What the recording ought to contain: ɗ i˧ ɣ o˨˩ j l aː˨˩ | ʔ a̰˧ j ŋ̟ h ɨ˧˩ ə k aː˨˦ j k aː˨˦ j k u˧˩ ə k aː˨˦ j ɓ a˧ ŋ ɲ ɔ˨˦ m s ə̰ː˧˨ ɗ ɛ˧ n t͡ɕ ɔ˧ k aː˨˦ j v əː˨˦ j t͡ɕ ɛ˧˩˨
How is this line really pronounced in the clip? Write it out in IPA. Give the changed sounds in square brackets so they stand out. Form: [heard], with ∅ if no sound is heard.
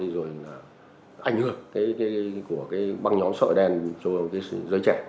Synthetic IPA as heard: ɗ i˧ [z] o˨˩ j l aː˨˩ | ʔ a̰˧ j ŋ̟ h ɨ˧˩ ə k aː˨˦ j k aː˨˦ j k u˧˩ ə k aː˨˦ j ɓ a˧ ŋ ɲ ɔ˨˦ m s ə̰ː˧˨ ɗ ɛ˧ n t͡ɕ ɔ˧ k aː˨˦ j [z] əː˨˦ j t͡ɕ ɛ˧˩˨